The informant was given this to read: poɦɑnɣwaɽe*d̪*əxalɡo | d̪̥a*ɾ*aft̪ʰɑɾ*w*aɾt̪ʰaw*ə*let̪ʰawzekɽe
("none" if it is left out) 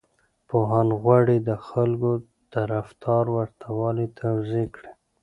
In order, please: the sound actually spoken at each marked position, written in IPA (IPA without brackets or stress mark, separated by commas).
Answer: d̪, ɾ, w, ɑ